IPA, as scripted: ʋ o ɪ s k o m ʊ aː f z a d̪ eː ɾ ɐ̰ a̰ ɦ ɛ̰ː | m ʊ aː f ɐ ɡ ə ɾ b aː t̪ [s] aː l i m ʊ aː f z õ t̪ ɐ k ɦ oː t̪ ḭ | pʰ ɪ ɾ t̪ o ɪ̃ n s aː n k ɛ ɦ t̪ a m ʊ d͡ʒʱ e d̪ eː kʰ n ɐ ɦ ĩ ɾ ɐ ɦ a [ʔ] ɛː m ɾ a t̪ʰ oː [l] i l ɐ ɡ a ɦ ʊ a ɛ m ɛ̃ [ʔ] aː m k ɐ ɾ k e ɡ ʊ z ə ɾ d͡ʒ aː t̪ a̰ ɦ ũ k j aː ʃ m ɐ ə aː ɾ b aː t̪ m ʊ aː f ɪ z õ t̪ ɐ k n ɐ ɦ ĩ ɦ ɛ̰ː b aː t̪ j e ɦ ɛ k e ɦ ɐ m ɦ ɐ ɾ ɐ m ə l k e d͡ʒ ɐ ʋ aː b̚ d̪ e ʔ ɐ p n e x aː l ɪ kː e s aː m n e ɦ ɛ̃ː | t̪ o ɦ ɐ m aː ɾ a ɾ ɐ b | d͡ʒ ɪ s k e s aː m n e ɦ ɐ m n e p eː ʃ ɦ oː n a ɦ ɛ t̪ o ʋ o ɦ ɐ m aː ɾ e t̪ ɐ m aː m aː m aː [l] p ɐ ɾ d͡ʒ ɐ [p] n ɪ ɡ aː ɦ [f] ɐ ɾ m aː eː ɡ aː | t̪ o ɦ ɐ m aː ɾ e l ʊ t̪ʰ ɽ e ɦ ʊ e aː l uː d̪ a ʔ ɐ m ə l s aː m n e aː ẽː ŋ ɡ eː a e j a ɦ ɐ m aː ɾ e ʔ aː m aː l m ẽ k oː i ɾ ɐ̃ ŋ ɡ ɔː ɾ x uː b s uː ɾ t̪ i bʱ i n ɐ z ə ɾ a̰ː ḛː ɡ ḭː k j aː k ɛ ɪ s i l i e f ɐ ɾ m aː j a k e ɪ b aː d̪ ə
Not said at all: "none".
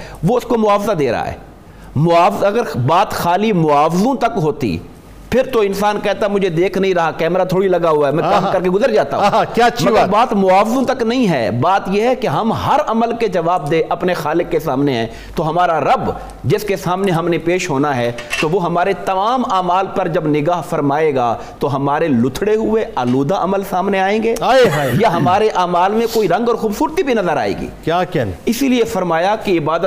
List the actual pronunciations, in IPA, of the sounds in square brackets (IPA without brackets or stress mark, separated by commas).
x, k, ɽ, k, l, b, f